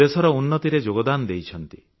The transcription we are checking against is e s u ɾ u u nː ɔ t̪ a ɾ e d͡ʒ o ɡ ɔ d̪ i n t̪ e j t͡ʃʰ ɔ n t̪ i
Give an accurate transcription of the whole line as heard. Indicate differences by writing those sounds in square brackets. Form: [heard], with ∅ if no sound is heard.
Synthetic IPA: e s [ɔ] ɾ [ɔ] u nː ɔ t̪ [i] ɾ e d͡ʒ o ɡ ɔ d̪ [a] n [d̪] e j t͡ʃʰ ɔ n t̪ i